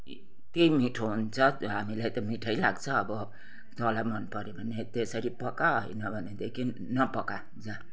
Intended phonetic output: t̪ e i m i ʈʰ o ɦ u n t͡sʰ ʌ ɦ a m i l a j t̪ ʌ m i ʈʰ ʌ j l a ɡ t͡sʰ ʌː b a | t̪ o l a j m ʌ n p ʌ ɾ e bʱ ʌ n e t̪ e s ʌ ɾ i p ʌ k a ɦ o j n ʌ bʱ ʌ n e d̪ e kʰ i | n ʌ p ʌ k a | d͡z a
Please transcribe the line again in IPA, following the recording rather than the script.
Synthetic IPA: t̪ e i m i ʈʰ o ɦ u n t͡sʰ ʌ ɦ a m i l a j t̪ ʌ m i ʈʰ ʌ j l a ɡ t͡sʰ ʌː b ʌ | t̪ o l a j m ʌ n p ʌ ɾ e bʱ ʌ n e t̪ e s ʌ ɾ i p ʌ k a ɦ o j n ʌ bʱ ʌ n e d̪ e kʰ i | n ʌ p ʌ k a | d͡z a